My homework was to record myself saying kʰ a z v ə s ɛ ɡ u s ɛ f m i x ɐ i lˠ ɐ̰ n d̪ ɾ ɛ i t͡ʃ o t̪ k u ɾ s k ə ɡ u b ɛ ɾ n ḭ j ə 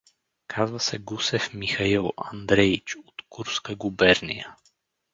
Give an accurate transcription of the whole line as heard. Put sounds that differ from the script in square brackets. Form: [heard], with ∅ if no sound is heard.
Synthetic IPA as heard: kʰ a z v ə s ɛ ɡ u s ɛ f m i x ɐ i lˠ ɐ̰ n d̪ ɾ ɛ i t͡ʃ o t̪ k u ɾ s k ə ɡ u b ɛ ɾ n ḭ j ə